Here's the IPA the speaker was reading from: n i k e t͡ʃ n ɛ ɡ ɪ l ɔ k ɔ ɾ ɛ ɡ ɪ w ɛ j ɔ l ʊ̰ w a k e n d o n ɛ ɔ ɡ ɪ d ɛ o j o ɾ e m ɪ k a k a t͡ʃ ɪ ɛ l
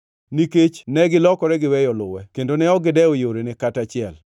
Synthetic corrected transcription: n i k e t͡ʃ n ɛ ɡ ɪ l ɔ k ɔ ɾ ɛ ɡ ɪ w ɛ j ɔ l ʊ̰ w ɛ k e n d o n ɛ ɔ ɡ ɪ d ɛ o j o ɾ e n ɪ k a t a t͡ʃ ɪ ɛ l